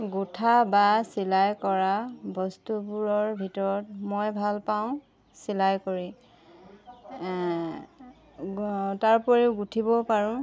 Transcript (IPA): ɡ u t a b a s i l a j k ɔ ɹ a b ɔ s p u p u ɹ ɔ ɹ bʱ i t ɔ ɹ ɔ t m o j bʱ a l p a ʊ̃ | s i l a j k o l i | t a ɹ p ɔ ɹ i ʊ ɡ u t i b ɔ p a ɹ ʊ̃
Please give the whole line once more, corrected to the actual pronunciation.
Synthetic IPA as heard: ɡ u tʰ a b a s i l a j k ɔ ɹ a b ɔ s t u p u ɹ ɔ ɹ bʱ i t ɔ ɹ ɔ t m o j bʱ a l p a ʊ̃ | s i l a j k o ɹ i | t a ɹ p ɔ ɹ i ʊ ɡ u tʰ i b ɔ p a ɹ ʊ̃